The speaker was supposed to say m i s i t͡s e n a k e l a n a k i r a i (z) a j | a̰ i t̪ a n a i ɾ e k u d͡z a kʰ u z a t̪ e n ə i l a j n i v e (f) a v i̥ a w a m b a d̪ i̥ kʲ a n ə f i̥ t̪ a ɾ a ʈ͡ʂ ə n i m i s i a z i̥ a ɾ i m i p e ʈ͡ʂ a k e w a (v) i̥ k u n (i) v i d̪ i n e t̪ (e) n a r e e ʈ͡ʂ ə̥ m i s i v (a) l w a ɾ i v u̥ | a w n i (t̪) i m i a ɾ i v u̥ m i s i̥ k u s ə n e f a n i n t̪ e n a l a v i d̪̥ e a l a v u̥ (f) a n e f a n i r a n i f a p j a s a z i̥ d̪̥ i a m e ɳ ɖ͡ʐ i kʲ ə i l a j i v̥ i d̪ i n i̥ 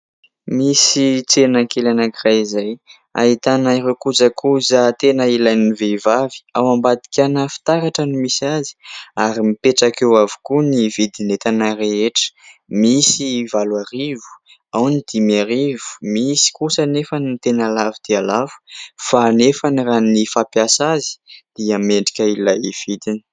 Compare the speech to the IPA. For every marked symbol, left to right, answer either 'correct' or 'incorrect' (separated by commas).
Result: correct, incorrect, correct, correct, incorrect, correct, incorrect, correct